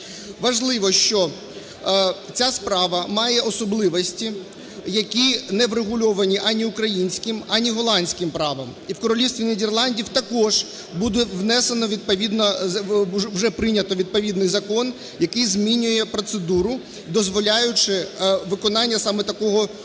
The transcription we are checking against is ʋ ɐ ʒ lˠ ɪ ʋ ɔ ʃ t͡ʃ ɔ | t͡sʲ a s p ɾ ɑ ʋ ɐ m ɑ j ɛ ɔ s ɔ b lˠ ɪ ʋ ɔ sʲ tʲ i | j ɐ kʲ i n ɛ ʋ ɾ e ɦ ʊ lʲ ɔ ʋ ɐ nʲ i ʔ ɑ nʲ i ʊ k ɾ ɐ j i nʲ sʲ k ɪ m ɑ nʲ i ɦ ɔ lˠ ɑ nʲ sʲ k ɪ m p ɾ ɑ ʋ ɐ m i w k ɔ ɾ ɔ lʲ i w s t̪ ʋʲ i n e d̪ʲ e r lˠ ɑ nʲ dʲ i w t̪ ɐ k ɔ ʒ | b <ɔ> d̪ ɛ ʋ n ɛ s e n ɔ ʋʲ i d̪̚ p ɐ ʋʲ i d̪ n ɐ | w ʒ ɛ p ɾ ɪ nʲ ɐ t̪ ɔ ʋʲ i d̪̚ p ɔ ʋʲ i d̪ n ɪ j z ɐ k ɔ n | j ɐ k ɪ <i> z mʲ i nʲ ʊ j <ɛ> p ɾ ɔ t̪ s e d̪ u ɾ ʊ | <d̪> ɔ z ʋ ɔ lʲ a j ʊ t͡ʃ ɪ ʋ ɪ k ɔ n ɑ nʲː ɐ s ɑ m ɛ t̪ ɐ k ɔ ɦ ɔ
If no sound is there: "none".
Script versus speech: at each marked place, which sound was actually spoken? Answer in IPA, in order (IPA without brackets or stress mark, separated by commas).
u, j, ɛ, d̪